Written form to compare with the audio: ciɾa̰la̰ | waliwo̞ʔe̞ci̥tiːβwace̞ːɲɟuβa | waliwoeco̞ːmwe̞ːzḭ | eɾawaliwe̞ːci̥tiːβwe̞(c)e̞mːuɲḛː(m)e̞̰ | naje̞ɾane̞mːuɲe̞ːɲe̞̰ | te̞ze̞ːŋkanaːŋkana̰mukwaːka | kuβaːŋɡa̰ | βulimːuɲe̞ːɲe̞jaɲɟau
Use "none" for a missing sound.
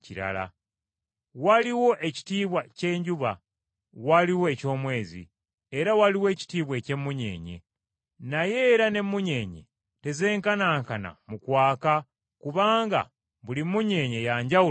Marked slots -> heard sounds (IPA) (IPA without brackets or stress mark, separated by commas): c, ɲ